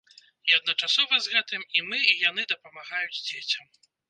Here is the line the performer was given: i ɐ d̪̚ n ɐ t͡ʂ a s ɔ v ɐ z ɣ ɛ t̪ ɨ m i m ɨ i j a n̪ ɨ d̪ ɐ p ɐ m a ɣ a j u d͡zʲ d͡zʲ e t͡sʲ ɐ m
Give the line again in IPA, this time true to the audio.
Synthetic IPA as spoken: i ɐ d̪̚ n ɐ t͡ʂ a s ɔ v ɐ z ɣ ɛ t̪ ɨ m i m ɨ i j a n̪ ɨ d̪ ɐ p ɐ m a ɣ a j u d͡zʲ d͡zʲ e t͡sʲ ɐ m